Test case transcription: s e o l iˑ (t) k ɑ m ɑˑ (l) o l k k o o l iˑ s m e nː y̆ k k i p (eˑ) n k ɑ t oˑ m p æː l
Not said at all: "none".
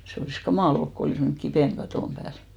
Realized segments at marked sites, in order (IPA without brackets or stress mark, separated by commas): s, l, eˑ